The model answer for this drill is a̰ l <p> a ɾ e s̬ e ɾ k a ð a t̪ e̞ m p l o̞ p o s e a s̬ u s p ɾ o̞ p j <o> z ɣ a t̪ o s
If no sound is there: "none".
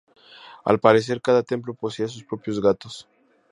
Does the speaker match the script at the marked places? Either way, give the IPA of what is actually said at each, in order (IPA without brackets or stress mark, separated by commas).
p, o